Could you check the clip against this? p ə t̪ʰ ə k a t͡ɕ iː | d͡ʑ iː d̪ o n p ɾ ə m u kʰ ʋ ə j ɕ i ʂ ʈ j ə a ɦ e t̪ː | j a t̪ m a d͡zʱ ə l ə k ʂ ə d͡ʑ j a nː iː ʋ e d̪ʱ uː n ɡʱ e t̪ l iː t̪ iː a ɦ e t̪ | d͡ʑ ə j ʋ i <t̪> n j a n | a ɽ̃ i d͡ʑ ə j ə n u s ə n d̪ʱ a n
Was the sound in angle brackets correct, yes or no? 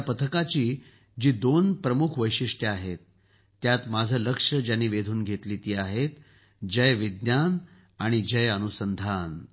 no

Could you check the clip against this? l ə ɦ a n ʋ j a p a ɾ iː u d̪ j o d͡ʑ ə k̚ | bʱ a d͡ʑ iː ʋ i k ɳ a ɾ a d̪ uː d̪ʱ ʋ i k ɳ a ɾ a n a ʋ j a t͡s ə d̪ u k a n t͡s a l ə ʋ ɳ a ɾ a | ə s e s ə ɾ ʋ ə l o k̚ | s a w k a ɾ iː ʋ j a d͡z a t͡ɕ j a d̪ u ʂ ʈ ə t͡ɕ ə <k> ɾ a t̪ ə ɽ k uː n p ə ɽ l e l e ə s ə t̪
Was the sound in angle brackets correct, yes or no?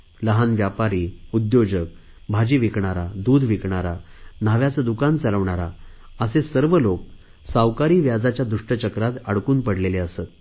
yes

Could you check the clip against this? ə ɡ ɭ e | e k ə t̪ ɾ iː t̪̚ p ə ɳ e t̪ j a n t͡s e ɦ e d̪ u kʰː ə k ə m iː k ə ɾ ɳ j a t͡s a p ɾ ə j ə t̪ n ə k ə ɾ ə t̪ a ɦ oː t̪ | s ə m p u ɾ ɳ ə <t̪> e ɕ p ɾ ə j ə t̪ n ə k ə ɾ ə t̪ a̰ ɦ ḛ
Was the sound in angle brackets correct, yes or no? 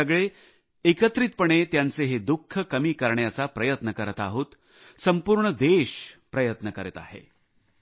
no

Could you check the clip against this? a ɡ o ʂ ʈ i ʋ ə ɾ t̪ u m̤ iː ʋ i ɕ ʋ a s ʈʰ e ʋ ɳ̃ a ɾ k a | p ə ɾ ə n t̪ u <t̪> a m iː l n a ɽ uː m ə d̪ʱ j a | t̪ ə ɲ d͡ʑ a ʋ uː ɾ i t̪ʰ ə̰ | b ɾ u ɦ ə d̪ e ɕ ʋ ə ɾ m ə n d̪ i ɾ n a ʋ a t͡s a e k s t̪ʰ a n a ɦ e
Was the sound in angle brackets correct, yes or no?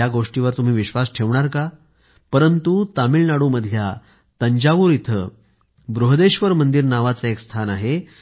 yes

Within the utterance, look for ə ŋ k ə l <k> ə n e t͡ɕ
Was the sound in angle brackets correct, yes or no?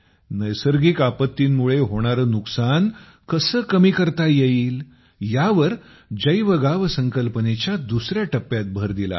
no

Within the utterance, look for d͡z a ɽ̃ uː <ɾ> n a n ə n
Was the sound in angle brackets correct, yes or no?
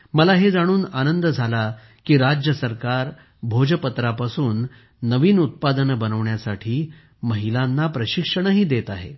no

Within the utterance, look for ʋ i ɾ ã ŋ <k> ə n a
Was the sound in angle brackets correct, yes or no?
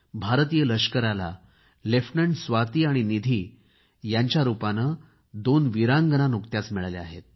no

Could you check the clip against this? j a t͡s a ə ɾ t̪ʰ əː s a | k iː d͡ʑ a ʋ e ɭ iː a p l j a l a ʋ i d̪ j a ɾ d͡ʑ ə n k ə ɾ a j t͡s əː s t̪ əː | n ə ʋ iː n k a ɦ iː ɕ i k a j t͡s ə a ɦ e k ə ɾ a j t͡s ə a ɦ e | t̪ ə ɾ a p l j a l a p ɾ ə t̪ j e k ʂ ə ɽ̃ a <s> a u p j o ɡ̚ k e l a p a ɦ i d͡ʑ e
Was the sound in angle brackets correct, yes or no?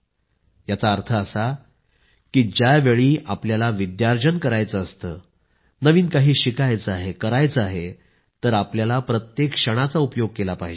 no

